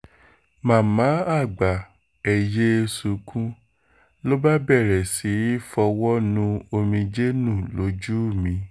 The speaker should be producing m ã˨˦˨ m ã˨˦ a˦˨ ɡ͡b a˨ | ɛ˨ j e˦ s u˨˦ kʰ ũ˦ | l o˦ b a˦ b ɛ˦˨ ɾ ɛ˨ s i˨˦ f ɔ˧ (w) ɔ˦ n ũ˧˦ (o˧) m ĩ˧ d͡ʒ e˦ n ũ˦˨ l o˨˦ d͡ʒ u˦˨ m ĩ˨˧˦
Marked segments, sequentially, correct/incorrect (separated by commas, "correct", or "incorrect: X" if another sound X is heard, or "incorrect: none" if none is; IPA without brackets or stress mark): correct, correct